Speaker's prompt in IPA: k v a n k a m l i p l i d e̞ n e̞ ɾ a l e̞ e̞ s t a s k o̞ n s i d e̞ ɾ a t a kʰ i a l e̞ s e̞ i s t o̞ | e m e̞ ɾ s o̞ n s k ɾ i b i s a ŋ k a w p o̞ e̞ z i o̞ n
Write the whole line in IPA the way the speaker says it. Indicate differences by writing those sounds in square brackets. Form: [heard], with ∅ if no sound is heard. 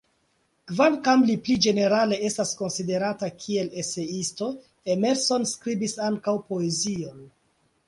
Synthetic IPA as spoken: k v a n k a m l i p l i [d͡ʒ] e̞ n e̞ ɾ a l e̞ e̞ s t a s k o̞ n s i d e̞ ɾ a t a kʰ i [e] l e̞ s e̞ i s t o̞ | e m e̞ ɾ s o̞ n s k ɾ i b i s a ŋ k a w p o̞ e̞ z i o̞ n